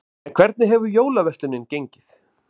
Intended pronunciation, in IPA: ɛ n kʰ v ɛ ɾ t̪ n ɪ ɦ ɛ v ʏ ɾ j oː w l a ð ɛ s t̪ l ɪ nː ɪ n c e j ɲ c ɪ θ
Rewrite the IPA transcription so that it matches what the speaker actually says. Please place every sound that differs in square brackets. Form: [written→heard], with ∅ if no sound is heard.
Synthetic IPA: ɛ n kʰ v ɛ ɾ t̪ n ɪ ɦ ɛ v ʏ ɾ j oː w l a [ð→v] ɛ s t̪ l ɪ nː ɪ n c e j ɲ c ɪ θ